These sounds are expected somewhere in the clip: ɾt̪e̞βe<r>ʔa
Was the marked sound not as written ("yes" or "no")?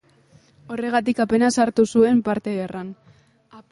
no